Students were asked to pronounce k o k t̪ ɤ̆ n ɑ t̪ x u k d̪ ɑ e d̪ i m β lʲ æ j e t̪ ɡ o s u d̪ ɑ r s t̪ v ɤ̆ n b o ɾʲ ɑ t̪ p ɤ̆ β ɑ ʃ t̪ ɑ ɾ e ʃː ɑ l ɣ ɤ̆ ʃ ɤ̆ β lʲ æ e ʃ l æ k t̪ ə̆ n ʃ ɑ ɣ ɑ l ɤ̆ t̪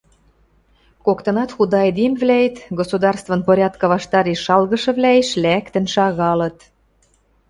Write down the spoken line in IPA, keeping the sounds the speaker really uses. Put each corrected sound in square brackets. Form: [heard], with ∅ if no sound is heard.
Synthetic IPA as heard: k o k t̪ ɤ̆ n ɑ t̪ x u [∅] d̪ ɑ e d̪ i m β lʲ æ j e t̪ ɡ o s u d̪ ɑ r s t̪ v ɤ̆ n [p] o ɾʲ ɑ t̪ [k] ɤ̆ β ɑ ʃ t̪ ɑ ɾ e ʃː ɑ l ɣ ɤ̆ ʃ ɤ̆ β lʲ æ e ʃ l æ k t̪ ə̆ n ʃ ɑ ɣ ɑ l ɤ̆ t̪